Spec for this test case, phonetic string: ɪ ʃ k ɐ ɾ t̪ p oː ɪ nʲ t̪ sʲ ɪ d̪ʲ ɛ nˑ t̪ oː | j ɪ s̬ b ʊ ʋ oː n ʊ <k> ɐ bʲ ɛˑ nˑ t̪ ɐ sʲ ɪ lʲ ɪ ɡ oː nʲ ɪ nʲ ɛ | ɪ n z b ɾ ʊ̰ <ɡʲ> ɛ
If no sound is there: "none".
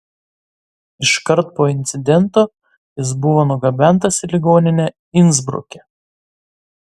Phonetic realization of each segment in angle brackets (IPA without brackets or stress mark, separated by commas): ɡ, kʲ